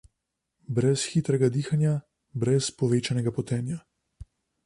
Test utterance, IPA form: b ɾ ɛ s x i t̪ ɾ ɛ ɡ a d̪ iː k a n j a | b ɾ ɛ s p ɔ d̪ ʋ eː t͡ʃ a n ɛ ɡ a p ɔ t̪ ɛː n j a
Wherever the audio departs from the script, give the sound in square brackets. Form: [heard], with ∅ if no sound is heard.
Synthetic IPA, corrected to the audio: b ɾ ɛ s x i t̪ ɾ ɛ ɡ a d̪ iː [x] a n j a | b ɾ ɛ s p ɔ [∅] ʋ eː t͡ʃ a n ɛ ɡ a p ɔ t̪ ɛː n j a

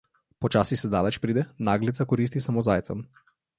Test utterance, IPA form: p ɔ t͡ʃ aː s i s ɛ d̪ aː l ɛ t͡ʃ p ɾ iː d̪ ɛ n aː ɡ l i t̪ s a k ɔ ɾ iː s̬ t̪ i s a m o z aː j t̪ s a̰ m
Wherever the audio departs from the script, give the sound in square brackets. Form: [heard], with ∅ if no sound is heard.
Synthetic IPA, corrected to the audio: p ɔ t͡ʃ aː s i s ɛ d̪ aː l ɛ t͡ʃ p ɾ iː d̪ ɛ n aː ɡ l i t̪ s a k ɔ ɾ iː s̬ t̪ i s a m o z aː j t̪ s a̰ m

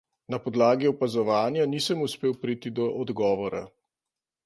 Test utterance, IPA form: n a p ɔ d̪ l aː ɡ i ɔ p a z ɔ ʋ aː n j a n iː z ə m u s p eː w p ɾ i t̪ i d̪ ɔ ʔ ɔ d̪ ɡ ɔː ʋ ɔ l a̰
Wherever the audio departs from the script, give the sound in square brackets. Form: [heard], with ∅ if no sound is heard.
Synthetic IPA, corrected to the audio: n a p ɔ d̪ l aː ɡ i ɔ p a z ɔ ʋ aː n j a n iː [s] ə m u s p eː w p ɾ i t̪ i d̪ ɔ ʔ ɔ d̪ ɡ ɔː ʋ ɔ [ɾ] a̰

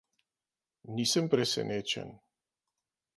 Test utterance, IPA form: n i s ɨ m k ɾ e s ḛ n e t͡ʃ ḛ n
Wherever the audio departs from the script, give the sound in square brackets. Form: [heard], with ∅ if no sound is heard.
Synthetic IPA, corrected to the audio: n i s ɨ m [p] ɾ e s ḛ n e t͡ʃ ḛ n

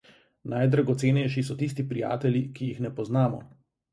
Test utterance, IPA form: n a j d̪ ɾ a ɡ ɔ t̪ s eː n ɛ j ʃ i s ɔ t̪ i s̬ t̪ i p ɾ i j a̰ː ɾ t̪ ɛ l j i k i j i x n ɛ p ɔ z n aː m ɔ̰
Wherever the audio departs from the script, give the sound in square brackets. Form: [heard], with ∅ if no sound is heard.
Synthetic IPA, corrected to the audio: n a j d̪ ɾ a ɡ ɔ t̪ s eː n ɛ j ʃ i s ɔ t̪ i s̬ t̪ i p ɾ i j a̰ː [∅] t̪ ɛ l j i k i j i x n ɛ p ɔ z n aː m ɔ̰

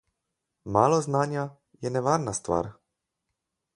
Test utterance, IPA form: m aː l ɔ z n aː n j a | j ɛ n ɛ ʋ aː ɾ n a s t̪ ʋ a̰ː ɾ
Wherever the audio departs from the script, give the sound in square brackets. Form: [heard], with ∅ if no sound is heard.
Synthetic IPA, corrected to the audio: m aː l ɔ z n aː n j a | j ɛ n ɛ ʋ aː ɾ n a s t̪ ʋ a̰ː ɾ

